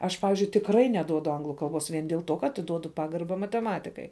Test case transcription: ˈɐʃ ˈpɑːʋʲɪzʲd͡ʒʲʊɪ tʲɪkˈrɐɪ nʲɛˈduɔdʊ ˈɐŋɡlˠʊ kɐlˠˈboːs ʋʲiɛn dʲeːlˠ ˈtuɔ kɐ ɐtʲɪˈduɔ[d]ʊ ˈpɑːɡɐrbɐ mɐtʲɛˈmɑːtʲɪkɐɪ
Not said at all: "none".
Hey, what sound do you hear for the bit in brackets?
d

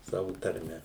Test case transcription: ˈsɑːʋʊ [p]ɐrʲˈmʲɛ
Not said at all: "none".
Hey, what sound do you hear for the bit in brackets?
t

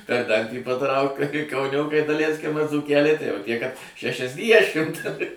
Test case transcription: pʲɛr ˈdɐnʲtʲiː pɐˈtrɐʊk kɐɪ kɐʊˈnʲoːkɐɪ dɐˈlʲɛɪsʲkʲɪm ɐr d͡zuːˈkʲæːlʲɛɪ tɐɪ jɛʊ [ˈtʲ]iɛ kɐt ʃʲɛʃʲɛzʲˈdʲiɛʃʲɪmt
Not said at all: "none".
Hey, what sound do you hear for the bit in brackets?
tʲ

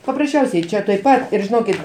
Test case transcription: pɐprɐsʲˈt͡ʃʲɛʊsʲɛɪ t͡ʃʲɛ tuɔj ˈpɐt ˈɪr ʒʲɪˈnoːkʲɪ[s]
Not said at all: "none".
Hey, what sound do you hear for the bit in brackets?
t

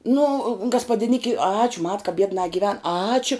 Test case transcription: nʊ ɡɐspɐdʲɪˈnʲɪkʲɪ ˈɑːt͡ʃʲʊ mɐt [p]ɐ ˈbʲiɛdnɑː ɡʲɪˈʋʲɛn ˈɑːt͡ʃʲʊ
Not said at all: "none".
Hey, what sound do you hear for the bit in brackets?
k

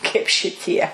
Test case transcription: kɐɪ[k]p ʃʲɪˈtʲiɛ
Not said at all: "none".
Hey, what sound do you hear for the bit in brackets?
none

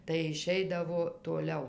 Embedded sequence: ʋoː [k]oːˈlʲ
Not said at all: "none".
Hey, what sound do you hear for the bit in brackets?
t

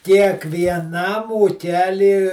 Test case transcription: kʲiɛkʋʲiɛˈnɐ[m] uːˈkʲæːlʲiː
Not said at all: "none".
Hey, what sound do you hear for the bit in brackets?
m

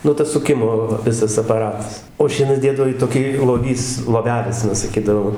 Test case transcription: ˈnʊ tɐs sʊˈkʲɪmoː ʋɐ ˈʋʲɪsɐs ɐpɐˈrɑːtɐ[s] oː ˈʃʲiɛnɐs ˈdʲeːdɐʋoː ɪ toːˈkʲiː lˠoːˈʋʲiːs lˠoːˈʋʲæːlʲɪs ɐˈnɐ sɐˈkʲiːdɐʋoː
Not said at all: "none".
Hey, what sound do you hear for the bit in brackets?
s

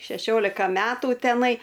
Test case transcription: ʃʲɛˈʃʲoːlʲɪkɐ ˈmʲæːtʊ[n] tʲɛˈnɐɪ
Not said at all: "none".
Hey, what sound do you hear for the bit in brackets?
none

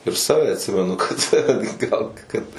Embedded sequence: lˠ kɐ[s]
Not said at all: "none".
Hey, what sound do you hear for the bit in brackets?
t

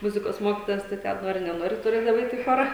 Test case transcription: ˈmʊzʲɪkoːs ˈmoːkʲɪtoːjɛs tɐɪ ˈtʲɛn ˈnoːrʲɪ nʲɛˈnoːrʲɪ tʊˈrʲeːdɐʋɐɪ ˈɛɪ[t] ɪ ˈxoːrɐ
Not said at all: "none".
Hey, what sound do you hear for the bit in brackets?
t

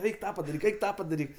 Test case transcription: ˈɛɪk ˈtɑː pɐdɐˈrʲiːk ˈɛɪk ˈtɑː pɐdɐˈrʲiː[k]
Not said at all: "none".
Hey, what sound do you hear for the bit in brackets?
k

